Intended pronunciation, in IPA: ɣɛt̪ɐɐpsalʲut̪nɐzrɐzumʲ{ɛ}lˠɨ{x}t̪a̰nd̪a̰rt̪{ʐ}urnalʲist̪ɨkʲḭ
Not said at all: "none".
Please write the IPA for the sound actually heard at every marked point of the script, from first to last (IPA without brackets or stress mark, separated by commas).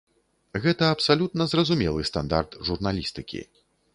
ɛ, s, ʐ